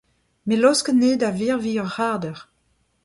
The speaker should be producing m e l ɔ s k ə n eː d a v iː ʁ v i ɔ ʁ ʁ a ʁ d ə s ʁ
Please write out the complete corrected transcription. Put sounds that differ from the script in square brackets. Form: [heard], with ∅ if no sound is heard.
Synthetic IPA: m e l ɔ s k ə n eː d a v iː ʁ v i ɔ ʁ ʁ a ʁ d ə [∅] ʁ